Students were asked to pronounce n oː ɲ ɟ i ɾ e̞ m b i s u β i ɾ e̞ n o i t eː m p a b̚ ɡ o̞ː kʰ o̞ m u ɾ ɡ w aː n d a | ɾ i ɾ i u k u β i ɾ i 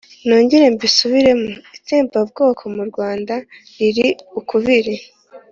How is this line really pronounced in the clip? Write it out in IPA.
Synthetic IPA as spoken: n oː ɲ ɟ i ɾ e̞ m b i s u β i ɾ e̞ m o i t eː m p a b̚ ɡ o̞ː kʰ o̞ m u ɾ ɡ w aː n d a | ɾ i ɾ i u k u β i ɾ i